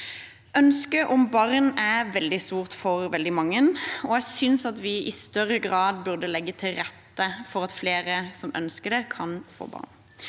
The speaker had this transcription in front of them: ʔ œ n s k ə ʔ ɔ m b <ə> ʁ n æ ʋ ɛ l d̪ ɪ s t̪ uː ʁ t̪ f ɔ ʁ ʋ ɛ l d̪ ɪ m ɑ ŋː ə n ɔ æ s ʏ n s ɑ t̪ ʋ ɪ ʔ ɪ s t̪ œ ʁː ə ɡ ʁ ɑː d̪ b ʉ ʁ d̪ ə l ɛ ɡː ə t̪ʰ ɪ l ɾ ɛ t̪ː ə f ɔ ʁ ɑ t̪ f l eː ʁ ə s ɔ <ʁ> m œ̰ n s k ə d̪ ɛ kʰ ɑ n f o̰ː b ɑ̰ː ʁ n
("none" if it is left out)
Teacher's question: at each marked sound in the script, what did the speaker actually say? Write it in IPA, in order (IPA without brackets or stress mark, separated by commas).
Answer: ɑ, none